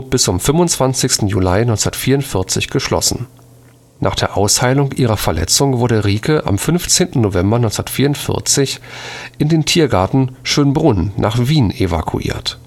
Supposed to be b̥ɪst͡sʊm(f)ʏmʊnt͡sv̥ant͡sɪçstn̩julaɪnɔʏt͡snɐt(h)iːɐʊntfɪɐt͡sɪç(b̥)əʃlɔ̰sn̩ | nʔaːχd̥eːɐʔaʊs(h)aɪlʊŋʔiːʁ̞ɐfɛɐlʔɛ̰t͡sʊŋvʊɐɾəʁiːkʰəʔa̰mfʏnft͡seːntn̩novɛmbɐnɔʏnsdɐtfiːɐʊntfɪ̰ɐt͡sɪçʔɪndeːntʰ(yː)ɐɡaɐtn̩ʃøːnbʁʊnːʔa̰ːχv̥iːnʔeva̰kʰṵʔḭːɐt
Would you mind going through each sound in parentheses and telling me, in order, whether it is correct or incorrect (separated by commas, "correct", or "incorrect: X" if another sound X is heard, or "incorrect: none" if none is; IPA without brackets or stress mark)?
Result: correct, incorrect: f, incorrect: ɡ̥, correct, incorrect: iː